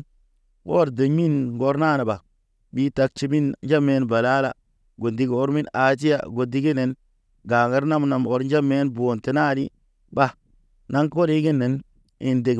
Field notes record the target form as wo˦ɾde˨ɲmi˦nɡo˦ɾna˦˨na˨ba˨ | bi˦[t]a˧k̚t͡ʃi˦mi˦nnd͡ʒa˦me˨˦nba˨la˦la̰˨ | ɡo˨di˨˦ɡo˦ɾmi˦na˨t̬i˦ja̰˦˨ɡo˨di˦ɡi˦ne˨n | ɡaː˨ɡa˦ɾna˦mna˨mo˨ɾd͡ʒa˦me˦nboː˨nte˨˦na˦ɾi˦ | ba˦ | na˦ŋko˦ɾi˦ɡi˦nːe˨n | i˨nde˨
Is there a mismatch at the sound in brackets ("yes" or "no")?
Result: no